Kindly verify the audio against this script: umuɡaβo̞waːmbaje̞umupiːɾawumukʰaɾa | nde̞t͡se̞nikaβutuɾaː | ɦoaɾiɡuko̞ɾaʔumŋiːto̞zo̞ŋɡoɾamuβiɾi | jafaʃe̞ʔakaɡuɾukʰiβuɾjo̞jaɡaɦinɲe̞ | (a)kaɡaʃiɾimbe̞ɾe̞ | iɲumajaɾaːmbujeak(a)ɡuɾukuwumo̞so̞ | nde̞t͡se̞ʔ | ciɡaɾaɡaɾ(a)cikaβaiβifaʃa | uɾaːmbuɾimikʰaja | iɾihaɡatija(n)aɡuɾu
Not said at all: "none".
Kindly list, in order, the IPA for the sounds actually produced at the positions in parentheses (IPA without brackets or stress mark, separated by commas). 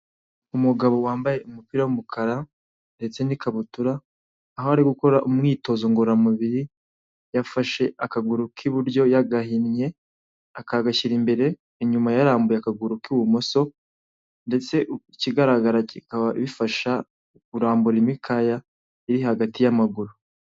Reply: a, a, a, m